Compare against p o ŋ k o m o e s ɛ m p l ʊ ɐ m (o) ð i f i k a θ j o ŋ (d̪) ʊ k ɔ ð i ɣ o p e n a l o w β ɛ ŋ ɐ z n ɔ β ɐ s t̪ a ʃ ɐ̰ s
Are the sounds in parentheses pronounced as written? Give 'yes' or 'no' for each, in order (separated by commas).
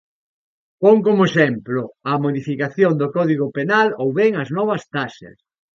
yes, yes